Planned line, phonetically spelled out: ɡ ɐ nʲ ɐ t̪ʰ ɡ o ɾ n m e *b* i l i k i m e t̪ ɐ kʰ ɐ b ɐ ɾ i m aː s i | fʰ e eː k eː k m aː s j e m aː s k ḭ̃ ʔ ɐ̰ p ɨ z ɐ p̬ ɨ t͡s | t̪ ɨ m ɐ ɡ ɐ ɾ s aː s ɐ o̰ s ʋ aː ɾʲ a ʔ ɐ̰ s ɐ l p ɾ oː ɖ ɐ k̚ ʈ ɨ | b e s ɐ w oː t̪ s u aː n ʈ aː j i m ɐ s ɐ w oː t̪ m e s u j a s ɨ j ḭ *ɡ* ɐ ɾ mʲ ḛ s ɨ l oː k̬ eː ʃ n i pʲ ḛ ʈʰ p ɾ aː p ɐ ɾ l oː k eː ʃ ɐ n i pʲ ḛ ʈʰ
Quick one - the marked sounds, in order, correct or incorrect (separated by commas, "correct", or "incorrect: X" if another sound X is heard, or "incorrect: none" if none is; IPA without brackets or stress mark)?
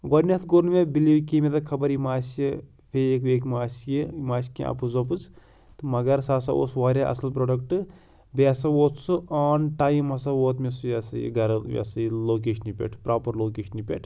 correct, correct